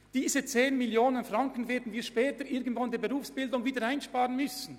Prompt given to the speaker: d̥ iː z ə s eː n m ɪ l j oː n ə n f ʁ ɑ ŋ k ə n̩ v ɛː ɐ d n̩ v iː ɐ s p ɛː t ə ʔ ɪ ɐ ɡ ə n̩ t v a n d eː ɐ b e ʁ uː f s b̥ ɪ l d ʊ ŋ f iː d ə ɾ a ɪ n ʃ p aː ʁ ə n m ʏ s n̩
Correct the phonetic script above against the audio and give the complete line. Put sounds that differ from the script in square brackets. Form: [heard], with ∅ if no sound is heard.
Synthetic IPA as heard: d̥ iː z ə [t͡s] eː n m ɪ l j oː n ə n f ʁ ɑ ŋ k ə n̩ v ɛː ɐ d n̩ v iː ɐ [ʃ] p ɛː t ə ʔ ɪ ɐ ɡ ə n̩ t v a n d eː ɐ b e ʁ uː f s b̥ ɪ l d ʊ ŋ [v] iː d ə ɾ a ɪ n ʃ p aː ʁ ə n m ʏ s n̩